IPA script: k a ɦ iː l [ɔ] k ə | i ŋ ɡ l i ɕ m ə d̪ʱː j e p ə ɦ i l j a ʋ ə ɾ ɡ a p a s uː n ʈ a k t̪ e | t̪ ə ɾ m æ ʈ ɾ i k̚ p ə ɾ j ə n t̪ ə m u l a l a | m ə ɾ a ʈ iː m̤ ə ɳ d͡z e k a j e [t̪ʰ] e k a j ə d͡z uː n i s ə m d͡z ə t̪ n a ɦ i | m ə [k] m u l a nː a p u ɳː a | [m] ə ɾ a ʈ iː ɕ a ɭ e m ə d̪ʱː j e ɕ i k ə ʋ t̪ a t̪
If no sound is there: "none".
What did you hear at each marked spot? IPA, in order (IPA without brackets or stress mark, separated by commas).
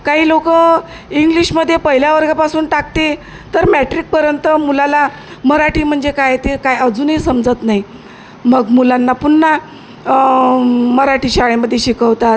o, t̪, ɡ, m